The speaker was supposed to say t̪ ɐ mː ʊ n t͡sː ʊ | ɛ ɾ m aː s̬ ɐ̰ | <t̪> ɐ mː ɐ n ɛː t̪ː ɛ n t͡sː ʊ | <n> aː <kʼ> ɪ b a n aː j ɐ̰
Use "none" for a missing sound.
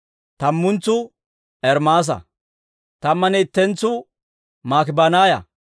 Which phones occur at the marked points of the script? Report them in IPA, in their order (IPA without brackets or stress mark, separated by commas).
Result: t̪, m, k